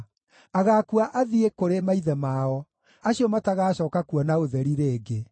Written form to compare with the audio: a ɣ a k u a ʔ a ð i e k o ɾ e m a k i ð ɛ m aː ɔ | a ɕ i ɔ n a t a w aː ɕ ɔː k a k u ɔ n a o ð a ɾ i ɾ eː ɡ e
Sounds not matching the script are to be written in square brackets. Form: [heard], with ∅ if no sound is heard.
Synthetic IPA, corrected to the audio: a ɣ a k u a ʔ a ð i e k o ɾ e m a [∅] i ð ɛ m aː ɔ | a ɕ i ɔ [m] a t a [ɣ] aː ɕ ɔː k a k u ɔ n a o ð [ɛ] ɾ i ɾ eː ɡ e